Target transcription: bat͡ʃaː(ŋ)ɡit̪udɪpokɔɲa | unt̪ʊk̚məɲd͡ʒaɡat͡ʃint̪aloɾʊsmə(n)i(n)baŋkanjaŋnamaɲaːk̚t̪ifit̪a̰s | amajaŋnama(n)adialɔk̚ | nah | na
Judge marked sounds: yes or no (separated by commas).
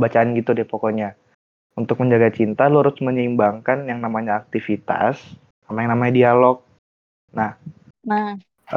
no, no, no, no